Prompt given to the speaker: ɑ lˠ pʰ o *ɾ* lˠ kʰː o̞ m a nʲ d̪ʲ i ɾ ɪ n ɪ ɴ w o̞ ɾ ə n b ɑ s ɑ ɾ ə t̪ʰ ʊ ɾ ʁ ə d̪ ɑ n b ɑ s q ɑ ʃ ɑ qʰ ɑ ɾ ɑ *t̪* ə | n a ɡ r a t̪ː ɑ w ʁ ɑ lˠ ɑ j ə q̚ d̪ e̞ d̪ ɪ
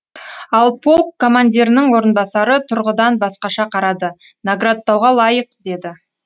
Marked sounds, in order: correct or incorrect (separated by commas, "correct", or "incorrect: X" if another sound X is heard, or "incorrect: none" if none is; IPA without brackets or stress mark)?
incorrect: none, incorrect: d̪